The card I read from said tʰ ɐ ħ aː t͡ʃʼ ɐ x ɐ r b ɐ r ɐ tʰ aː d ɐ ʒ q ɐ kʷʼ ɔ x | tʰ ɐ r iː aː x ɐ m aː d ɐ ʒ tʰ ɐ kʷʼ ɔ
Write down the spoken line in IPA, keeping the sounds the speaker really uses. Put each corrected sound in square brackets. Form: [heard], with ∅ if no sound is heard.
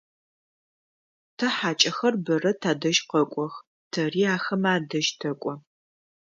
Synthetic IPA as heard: tʰ ɐ ħ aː t͡ʃʼ ɐ x ɐ r b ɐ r ɐ tʰ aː d ɐ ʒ q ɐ kʷʼ ɔ x | tʰ ɐ r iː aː x ɐ m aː d ɐ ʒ tʰ ɐ kʷʼ ɔ